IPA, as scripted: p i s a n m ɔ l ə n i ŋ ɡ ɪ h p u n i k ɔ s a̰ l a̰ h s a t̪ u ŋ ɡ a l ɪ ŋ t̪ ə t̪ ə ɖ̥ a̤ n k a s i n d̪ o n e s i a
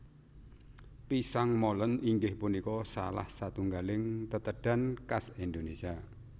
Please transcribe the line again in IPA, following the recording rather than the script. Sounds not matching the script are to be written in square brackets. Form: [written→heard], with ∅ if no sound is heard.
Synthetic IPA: p i s a [n→ŋ] m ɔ l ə n i ŋ ɡ ɪ h p u n i k ɔ s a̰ l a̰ h s a t̪ u ŋ ɡ a l ɪ ŋ t̪ ə t̪ ə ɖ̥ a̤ n k a s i n d̪ o n e s i a